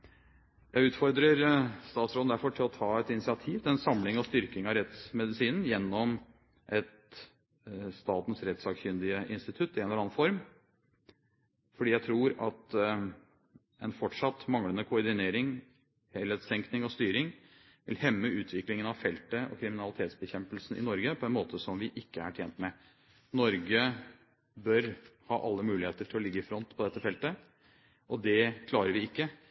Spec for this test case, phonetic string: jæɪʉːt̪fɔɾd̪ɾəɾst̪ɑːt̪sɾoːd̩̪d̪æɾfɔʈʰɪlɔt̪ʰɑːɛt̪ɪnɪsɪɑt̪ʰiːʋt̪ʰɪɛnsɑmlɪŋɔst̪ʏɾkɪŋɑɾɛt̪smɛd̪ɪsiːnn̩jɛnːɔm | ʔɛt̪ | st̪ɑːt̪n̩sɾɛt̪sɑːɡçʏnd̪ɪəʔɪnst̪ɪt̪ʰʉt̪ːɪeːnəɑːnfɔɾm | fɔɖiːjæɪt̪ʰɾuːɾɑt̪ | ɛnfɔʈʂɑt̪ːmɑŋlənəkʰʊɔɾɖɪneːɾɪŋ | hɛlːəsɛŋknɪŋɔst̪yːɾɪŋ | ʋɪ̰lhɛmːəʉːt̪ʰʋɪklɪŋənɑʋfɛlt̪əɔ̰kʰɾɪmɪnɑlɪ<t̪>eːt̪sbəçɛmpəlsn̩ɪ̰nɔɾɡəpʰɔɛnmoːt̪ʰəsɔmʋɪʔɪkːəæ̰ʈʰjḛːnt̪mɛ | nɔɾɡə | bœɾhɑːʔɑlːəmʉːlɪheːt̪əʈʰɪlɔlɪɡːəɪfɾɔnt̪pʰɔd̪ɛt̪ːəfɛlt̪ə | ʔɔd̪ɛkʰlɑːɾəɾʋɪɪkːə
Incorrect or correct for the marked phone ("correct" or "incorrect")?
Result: incorrect